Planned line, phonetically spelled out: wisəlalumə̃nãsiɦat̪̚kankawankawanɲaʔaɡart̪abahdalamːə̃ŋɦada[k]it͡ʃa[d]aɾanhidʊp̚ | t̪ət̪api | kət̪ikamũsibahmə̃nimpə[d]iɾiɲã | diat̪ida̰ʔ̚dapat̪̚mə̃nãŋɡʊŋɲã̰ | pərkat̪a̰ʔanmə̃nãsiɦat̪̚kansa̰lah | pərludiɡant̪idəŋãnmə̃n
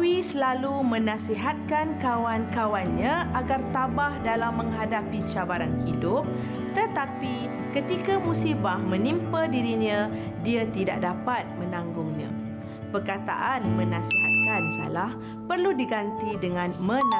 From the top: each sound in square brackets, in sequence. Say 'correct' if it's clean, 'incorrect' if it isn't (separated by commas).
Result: incorrect, incorrect, correct